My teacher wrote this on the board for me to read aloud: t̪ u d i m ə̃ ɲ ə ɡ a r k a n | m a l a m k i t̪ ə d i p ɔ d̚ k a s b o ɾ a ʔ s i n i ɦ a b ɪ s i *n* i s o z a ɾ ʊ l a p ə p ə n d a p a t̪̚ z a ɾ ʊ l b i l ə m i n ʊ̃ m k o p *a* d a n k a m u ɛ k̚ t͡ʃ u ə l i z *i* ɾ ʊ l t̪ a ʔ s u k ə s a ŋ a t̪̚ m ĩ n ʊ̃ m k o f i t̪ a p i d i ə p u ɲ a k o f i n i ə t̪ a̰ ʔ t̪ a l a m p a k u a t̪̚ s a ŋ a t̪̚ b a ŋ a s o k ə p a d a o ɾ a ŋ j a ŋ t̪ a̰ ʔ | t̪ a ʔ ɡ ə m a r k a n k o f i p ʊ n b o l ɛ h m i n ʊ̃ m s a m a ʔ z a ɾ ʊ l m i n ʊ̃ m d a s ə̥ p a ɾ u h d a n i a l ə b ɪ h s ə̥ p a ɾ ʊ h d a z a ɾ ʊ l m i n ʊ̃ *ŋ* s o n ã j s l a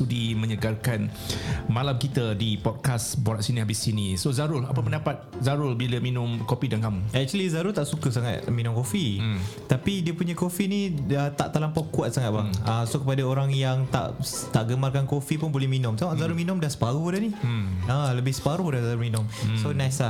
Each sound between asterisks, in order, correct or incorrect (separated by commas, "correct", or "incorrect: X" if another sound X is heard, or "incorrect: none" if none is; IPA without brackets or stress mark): correct, incorrect: i, incorrect: a, incorrect: m